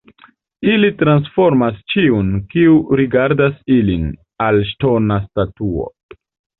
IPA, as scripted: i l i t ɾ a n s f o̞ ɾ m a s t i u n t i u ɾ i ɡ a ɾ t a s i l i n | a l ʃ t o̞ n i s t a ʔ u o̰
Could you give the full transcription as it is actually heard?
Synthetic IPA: i l i t ɾ a n s f o̞ ɾ m a s t͡ʃ i u n k i u ɾ i ɡ a ɾ d a s i l i n | a l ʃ t o̞ n a s t a t u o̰